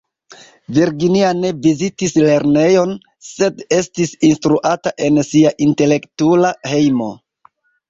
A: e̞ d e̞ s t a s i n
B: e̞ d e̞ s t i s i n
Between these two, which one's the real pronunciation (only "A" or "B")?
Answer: B